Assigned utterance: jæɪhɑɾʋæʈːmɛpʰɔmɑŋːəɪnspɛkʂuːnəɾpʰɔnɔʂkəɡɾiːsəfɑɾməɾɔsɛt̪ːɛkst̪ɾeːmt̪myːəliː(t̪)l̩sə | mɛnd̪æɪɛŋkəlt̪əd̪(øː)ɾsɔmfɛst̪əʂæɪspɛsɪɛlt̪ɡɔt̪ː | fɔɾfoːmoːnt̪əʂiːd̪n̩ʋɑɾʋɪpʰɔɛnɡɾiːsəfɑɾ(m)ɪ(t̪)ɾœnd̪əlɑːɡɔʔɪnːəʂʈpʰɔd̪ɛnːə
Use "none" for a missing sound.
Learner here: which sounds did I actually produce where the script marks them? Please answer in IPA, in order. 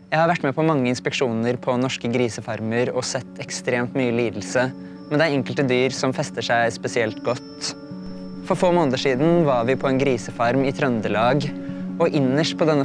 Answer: d̪, yː, m, t̪ʰ

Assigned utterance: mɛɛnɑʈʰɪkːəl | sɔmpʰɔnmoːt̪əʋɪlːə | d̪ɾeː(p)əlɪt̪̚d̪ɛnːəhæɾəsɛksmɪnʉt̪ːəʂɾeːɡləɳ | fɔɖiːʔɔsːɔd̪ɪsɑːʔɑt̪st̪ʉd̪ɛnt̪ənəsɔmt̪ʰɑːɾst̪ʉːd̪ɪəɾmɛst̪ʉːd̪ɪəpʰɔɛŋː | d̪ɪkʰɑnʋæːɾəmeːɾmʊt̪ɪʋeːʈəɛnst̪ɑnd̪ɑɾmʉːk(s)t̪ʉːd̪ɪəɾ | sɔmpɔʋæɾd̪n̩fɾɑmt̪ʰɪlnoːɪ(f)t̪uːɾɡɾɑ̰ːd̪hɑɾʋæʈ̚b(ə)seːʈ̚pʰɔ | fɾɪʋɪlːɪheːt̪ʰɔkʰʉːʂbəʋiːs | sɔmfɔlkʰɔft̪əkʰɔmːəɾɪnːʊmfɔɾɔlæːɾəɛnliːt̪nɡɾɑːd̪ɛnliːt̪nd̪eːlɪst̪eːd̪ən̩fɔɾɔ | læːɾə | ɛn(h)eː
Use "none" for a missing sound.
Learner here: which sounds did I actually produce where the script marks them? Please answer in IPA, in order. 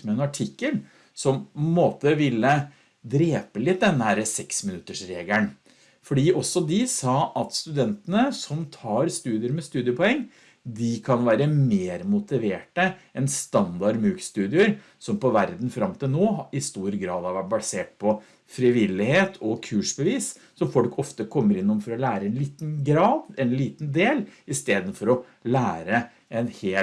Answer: p, s, s, ɑ, h

